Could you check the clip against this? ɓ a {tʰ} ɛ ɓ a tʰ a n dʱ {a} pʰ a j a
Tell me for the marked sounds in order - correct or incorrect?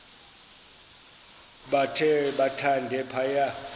correct, incorrect

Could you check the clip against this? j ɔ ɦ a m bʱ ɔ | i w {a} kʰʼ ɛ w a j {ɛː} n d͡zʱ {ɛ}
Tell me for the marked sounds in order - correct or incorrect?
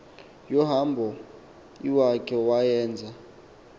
correct, correct, incorrect

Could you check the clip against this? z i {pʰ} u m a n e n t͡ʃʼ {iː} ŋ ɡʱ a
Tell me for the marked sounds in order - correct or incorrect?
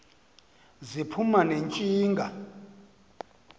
correct, correct

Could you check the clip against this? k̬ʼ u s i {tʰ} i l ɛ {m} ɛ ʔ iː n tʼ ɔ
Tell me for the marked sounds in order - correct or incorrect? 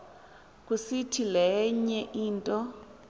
correct, incorrect

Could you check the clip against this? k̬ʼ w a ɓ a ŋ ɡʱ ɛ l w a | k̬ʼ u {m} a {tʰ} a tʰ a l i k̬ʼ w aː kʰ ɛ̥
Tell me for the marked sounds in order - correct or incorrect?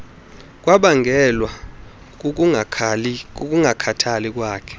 incorrect, incorrect

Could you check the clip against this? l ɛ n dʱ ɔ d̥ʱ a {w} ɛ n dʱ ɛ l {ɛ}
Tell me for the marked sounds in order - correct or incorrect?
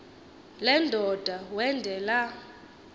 correct, incorrect

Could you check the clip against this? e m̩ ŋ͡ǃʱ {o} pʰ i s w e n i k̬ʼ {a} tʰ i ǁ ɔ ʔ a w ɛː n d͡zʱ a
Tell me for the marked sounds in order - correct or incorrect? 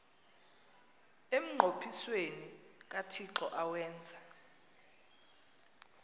correct, correct

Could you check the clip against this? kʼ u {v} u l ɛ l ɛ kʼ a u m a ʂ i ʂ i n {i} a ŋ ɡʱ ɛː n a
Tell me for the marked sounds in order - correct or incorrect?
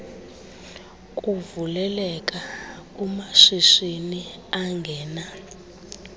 correct, correct

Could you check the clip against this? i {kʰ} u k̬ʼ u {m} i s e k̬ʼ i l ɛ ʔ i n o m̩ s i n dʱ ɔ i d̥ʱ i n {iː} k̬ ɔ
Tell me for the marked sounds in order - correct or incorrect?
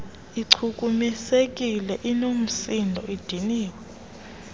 incorrect, correct, correct

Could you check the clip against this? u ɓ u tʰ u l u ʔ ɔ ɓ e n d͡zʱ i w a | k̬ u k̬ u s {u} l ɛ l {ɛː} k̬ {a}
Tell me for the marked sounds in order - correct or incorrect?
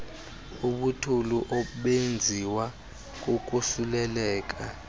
correct, correct, correct

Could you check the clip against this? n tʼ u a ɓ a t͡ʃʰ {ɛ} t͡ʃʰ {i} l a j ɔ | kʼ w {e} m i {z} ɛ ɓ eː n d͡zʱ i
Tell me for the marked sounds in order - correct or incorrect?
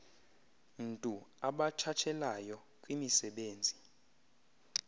incorrect, incorrect, incorrect, incorrect

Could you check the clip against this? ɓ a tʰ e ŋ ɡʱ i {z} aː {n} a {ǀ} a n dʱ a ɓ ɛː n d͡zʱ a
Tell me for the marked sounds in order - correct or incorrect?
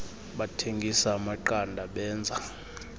incorrect, incorrect, incorrect

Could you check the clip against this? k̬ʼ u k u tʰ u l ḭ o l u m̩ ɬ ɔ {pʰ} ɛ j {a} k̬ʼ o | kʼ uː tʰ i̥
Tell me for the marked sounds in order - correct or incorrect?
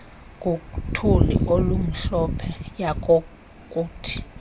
correct, correct

